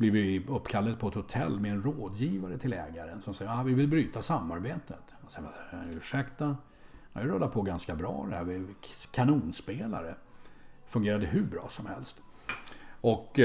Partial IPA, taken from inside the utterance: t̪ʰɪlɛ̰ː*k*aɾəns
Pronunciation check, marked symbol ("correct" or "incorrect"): incorrect